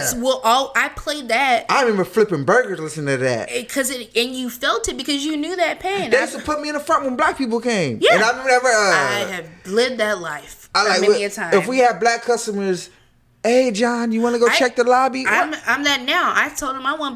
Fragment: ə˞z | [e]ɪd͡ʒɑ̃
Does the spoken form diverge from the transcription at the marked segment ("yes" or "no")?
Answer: no